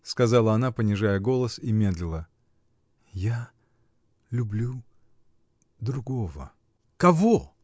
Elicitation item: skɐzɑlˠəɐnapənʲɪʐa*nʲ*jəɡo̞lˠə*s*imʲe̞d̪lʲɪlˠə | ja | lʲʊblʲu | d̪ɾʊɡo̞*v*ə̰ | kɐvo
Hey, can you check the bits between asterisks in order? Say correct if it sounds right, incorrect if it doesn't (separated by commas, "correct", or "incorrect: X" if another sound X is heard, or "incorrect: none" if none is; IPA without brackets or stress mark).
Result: incorrect: none, correct, correct